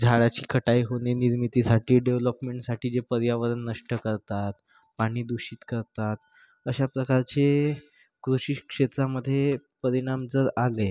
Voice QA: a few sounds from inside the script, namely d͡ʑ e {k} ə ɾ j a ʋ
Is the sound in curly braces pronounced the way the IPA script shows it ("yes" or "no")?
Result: no